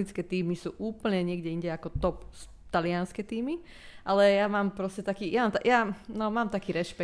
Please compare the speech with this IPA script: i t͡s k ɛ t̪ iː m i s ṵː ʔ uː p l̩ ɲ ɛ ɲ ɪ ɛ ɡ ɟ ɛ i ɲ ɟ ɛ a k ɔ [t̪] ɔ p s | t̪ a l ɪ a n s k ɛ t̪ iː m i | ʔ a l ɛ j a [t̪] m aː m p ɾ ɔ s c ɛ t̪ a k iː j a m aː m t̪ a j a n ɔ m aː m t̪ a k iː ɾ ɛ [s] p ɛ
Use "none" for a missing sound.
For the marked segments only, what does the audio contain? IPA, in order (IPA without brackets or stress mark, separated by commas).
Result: t̪, none, ʃ